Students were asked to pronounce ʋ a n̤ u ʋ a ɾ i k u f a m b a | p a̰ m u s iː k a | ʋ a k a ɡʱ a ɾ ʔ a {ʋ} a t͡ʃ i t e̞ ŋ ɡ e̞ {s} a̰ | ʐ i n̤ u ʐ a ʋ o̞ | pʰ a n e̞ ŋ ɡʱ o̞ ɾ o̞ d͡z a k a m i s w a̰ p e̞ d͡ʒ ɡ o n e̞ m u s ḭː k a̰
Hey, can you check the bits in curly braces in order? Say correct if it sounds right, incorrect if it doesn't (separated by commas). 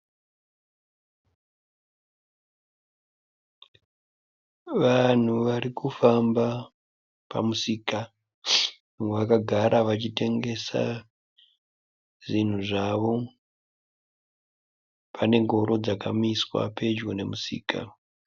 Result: correct, correct